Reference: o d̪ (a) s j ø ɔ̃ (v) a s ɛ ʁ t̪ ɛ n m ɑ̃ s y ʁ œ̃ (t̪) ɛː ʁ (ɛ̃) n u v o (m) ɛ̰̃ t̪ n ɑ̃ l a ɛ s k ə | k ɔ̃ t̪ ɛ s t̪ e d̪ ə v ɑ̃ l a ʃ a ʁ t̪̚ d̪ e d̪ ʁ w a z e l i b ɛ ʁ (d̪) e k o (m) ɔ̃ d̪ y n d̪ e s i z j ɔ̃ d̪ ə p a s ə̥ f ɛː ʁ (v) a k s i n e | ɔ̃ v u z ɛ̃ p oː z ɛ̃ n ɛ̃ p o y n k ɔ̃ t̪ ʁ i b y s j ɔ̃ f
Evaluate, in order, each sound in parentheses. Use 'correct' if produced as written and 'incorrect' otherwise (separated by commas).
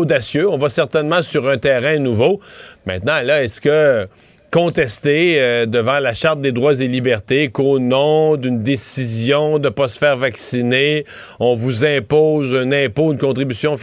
correct, correct, correct, correct, correct, incorrect, incorrect, correct